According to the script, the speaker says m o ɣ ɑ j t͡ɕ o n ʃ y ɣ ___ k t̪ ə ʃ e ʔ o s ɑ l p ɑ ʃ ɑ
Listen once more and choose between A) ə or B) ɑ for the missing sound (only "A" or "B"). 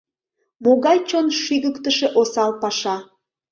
A